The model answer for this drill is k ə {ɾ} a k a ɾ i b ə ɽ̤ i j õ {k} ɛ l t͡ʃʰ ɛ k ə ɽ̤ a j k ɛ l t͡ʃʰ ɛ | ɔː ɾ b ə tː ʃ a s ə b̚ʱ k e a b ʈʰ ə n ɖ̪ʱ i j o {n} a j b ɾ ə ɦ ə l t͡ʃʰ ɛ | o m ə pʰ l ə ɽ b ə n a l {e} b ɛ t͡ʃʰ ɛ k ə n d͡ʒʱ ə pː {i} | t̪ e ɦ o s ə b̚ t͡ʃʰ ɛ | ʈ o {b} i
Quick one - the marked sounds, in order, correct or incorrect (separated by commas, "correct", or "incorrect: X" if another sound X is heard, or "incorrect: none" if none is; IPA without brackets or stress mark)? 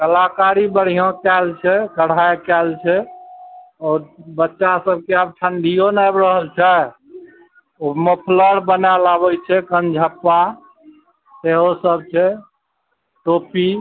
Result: incorrect: l, correct, correct, incorrect: a, incorrect: a, incorrect: p